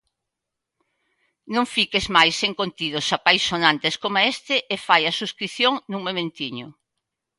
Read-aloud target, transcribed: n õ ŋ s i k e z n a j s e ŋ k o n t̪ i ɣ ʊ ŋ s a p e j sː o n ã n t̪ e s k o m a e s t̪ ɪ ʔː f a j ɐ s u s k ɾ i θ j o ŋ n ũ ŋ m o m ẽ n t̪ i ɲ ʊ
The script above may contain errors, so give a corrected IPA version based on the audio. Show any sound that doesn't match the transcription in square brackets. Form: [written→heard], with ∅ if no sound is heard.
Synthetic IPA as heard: n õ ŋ [s→f] i k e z [n→m] a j s e ŋ k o n t̪ i [ɣ→ð] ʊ [ŋ→∅] s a p [e→a] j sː o n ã n t̪ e s k o m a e s t̪ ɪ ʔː f a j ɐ s u s k ɾ i θ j o ŋ n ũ ŋ m o m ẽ n t̪ i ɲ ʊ